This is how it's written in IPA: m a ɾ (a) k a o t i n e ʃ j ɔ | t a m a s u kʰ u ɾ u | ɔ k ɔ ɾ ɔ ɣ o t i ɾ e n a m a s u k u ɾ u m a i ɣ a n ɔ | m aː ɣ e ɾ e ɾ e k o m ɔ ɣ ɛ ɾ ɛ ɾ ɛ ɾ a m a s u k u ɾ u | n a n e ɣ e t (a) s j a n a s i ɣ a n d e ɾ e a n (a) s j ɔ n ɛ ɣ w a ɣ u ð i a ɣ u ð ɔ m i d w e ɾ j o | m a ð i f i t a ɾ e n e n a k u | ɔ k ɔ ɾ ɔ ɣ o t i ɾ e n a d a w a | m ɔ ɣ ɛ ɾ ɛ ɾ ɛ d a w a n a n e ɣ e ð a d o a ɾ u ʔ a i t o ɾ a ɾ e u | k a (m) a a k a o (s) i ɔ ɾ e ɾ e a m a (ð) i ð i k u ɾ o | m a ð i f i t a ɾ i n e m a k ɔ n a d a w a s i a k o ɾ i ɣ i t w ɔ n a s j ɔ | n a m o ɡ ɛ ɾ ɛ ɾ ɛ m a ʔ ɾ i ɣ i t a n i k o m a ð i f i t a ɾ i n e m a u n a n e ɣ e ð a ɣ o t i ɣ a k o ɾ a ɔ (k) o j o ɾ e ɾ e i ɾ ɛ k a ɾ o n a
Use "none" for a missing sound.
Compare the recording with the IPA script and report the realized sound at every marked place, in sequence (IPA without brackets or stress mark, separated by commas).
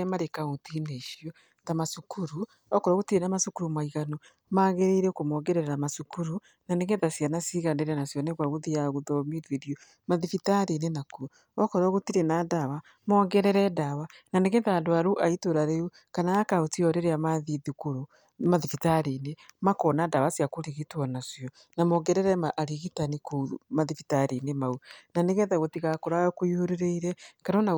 e, a, a, n, t, ð, k